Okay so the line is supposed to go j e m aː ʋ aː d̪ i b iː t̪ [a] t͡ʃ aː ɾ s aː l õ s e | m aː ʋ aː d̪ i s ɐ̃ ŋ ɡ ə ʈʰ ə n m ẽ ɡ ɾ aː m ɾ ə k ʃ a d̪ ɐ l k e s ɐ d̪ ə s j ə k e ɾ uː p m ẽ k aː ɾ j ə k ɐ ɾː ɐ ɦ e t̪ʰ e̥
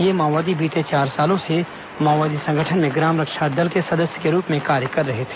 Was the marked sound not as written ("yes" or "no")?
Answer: yes